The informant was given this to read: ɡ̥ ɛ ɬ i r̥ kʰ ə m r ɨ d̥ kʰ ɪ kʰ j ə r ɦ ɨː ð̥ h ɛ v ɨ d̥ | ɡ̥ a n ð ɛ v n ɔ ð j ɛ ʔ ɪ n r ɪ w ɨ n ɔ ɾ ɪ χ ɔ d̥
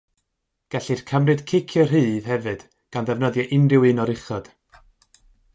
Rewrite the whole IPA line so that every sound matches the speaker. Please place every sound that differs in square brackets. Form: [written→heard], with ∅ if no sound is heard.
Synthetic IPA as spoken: ɡ̥ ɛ ɬ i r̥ kʰ ə m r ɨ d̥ kʰ ɪ kʰ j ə r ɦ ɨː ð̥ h ɛ v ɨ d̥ | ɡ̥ a n ð ɛ v n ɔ ð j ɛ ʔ ɪ n r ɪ w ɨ n ɔ ɾ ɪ χ ɔ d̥